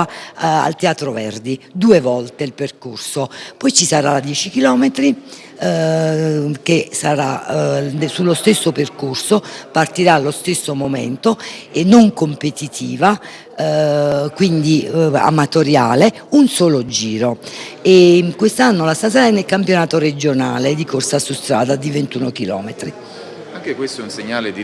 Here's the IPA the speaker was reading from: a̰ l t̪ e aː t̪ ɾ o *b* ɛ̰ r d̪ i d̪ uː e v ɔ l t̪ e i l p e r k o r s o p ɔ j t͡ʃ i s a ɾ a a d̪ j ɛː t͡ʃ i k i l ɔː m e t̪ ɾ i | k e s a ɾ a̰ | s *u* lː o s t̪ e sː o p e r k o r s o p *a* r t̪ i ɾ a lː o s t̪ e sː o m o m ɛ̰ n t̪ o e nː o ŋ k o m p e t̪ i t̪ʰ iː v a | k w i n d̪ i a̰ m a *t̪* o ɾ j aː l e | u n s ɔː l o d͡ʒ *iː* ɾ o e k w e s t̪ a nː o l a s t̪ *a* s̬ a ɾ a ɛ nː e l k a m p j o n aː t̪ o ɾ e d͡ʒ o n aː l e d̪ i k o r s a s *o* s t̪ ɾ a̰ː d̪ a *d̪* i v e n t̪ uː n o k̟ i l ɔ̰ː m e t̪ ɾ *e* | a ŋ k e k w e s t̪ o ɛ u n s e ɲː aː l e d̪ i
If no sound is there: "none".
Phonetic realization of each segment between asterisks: v, u, a, t̪, iː, a, u, d̪, i

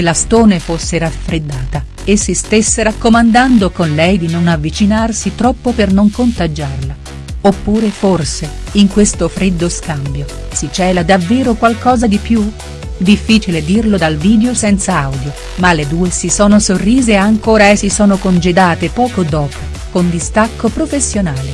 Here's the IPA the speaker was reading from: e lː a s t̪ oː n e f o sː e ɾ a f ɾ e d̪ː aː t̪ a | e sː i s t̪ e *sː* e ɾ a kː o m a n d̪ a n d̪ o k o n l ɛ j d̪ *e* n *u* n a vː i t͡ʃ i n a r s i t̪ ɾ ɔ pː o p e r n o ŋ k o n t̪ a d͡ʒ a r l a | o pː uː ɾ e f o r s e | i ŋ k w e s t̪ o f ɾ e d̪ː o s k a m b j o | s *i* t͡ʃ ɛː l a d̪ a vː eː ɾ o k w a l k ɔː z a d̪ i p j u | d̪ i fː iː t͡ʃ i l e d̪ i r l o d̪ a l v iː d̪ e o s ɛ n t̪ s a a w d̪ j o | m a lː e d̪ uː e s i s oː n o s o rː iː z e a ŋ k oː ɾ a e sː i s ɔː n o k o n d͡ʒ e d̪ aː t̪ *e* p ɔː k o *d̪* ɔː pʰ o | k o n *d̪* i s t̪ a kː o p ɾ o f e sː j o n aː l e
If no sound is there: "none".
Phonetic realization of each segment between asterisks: sː, i, o, i, e, d̪, d̪

